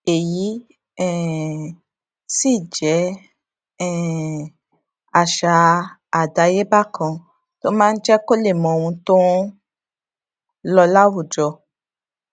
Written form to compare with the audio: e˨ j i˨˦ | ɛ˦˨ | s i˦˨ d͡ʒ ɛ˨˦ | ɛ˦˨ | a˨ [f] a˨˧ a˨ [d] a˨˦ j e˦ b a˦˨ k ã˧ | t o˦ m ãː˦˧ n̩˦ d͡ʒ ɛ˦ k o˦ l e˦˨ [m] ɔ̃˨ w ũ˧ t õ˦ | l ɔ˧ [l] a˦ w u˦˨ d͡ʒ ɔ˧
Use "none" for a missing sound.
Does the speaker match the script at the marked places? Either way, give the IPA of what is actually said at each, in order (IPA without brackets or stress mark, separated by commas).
ʃ, d, m, l